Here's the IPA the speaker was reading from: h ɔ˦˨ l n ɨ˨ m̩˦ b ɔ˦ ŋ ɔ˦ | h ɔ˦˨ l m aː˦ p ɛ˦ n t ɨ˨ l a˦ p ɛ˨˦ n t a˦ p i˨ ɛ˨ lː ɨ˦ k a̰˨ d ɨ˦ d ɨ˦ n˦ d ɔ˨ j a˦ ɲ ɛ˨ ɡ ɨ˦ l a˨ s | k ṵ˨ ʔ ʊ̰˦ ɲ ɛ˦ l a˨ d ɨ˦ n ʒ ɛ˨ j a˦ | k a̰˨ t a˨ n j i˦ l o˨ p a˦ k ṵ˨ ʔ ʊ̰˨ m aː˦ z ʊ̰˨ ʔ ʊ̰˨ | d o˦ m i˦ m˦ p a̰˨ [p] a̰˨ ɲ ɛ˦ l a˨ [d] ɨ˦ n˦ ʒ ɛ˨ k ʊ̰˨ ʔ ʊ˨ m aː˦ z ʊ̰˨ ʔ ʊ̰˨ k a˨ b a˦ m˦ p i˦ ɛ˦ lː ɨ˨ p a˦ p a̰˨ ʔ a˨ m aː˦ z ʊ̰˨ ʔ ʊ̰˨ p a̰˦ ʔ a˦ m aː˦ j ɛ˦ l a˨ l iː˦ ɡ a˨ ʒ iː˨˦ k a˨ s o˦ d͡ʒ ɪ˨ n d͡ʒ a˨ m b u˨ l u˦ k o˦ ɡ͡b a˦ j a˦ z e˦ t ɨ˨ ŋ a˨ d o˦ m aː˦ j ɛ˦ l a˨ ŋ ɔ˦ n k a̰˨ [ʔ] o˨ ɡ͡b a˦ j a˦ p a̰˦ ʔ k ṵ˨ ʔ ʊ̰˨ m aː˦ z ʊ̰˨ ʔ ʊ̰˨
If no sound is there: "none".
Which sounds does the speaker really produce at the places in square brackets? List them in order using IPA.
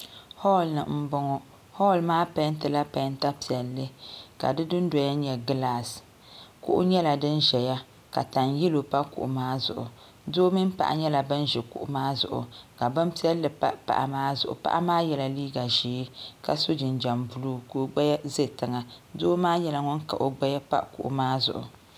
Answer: ʔ, b, ʔ

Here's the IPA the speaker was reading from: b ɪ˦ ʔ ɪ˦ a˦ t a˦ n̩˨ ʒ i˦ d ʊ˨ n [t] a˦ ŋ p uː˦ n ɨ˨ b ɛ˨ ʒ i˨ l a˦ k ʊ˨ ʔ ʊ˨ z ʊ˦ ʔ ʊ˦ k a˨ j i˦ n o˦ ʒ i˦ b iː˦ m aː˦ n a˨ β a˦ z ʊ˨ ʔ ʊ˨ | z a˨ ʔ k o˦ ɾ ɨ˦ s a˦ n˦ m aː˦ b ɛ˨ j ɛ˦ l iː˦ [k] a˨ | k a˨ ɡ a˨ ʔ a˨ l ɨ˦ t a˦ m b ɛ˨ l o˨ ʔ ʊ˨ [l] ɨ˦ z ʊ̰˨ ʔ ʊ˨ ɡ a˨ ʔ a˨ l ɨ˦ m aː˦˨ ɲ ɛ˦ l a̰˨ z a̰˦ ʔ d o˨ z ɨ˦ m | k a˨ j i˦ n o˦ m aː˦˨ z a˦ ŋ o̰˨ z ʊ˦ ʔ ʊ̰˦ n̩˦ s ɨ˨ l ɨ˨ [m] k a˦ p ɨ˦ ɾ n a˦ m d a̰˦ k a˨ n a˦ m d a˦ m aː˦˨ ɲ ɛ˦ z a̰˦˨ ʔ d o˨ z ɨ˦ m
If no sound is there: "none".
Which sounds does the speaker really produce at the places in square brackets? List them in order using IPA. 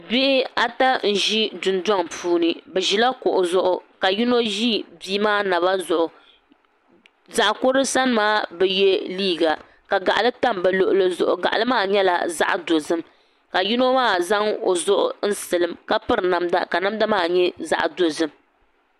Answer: d, ɡ, l, m

